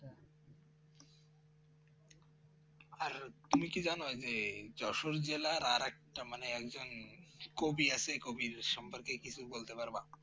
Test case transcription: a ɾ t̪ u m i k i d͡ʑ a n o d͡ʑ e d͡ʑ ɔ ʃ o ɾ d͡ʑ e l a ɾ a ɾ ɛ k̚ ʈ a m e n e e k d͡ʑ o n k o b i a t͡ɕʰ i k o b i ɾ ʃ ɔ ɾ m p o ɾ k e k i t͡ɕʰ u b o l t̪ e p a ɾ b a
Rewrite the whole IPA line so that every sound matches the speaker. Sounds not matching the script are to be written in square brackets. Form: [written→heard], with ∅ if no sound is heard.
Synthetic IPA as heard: a ɾ t̪ u m i k i d͡ʑ a n o d͡ʑ e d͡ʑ ɔ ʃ o ɾ d͡ʑ e l a ɾ a ɾ ɛ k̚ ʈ a m [e→a] n e [e→ɛ] k d͡ʑ o n k o b i a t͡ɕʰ [i→e] k o b i ɾ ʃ ɔ [ɾ→∅] m p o ɾ k e k i t͡ɕʰ u b o l t̪ e p a ɾ b a